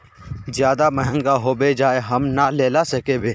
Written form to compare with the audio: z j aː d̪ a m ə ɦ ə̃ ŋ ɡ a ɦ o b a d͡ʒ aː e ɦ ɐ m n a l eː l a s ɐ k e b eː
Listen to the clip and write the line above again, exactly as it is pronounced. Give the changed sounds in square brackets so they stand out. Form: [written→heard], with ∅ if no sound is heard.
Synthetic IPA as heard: z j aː d̪ a m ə ɦ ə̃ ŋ ɡ a ɦ o b [a→e] d͡ʒ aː e ɦ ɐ m n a l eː l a s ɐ k e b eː